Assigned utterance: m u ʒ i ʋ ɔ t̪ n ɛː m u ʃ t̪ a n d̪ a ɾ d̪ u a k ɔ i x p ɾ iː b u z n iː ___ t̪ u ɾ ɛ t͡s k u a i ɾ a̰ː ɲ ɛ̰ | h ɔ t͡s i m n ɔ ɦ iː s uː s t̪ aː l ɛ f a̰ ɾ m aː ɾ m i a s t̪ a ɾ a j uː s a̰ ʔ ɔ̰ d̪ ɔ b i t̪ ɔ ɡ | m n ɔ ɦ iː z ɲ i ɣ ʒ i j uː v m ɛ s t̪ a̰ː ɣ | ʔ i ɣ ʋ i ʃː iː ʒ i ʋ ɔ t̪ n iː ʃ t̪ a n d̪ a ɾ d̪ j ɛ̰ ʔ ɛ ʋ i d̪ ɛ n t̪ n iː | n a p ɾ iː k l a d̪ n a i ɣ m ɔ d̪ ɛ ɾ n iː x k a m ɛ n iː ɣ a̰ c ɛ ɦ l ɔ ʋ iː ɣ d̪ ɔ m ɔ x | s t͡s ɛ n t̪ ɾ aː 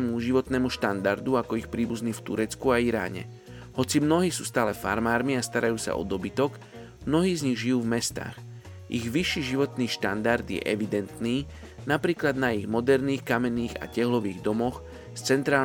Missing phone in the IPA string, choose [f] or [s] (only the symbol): f